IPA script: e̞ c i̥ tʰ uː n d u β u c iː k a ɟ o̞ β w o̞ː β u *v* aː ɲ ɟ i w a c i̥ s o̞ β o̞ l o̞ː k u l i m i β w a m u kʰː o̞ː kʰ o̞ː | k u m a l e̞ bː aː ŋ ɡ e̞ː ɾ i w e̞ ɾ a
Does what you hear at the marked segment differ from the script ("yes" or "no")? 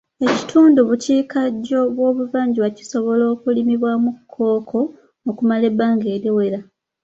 no